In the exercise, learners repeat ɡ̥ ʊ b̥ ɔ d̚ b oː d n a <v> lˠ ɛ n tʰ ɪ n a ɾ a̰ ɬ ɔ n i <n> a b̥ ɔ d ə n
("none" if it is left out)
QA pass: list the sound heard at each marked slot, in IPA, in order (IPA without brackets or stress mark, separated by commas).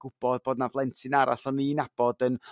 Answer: v, n